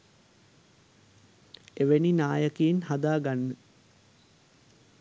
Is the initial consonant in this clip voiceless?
no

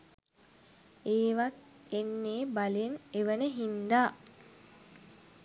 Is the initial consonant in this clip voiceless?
no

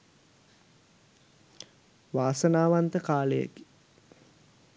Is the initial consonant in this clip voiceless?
no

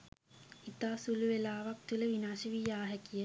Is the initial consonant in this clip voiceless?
yes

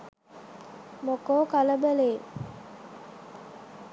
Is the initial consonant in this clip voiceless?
no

